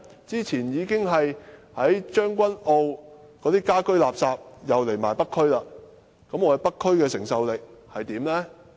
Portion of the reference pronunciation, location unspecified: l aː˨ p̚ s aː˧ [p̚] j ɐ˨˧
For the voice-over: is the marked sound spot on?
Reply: yes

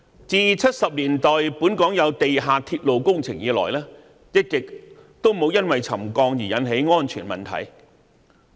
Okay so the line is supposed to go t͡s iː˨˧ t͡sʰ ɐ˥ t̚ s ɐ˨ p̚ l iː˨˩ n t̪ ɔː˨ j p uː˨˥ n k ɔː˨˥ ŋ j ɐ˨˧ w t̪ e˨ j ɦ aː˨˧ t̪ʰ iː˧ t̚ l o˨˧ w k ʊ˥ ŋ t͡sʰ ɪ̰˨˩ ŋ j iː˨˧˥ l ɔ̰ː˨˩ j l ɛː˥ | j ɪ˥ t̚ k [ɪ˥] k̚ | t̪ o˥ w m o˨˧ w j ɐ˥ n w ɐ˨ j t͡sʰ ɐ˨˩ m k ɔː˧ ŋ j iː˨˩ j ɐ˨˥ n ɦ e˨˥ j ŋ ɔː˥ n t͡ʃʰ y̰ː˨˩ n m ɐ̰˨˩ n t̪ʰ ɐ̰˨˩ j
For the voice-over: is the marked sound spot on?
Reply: no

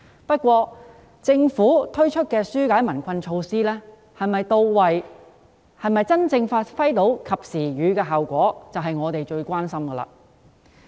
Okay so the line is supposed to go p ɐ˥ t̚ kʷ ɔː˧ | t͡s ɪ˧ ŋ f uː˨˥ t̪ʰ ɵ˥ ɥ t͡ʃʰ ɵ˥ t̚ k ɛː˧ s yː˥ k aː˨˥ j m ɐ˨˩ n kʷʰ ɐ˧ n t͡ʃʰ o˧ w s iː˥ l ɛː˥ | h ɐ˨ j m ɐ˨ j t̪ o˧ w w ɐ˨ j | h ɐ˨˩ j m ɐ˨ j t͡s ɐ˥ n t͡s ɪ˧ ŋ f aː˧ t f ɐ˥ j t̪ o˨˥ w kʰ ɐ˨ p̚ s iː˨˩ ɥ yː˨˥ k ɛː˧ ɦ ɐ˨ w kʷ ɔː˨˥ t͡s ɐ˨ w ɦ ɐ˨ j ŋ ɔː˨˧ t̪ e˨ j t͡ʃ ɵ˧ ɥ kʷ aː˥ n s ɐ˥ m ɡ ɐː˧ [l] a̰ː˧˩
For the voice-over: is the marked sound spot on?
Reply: yes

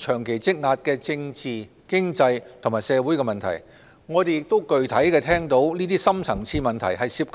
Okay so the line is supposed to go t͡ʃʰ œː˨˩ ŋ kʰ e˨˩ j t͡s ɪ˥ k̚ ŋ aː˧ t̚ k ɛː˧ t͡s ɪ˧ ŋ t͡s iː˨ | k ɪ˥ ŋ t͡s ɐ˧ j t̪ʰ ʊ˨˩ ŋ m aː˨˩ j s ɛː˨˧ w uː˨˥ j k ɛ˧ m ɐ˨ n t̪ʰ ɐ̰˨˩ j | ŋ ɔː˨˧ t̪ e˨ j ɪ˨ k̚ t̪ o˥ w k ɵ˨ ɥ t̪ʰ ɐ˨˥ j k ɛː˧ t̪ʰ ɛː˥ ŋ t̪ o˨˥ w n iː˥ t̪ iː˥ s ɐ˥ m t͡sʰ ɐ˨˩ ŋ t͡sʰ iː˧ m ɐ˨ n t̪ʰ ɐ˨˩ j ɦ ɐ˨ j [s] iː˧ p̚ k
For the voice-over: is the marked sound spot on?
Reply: yes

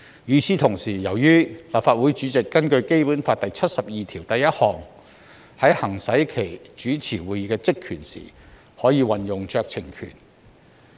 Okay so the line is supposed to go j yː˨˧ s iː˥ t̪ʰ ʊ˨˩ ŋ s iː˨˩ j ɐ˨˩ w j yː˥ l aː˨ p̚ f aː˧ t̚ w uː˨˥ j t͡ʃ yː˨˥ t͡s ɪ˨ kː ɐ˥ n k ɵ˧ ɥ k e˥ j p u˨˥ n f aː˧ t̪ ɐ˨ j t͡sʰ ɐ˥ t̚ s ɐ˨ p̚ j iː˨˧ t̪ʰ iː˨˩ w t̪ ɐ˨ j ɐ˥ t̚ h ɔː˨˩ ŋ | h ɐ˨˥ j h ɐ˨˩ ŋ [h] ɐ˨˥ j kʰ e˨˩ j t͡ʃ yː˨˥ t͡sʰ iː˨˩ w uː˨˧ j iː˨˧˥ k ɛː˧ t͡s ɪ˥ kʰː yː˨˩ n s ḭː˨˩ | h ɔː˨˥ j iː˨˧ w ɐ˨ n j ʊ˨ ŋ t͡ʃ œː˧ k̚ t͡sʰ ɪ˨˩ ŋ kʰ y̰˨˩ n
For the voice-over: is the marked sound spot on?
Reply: no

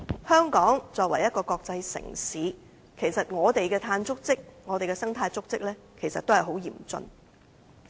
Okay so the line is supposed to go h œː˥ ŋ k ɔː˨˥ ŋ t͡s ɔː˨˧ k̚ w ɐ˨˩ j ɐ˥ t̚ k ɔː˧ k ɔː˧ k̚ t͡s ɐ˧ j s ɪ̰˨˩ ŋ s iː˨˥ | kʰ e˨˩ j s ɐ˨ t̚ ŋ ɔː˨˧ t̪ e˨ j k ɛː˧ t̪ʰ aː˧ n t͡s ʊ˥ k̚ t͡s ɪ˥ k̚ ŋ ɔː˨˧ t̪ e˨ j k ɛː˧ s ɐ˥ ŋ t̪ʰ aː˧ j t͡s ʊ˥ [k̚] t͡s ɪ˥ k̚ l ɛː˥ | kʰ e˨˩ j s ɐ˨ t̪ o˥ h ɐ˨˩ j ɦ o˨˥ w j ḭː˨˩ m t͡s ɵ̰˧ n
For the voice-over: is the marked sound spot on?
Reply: yes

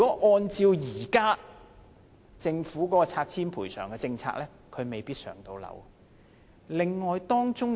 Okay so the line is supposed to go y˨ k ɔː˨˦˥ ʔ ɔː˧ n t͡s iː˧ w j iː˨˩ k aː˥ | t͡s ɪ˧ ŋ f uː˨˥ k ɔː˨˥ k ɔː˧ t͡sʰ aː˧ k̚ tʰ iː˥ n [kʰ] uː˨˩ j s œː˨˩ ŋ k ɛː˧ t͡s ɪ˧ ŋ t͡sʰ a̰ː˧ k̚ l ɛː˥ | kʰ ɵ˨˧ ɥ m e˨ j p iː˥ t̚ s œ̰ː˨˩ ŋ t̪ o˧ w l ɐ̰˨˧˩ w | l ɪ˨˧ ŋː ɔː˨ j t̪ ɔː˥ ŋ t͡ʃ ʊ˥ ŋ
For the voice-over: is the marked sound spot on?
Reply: no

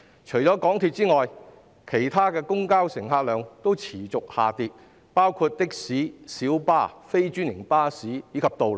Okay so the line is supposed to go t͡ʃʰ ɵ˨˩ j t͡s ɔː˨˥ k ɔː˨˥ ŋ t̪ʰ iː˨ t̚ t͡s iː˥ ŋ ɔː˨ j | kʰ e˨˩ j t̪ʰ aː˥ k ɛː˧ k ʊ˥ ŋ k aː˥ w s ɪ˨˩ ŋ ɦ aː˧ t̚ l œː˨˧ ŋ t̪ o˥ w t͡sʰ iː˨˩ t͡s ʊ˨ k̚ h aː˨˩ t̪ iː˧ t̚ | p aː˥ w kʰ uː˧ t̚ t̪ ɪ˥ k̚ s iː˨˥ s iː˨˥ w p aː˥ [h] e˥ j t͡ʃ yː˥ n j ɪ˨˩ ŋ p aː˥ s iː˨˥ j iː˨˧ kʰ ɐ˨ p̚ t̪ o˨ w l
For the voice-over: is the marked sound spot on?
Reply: no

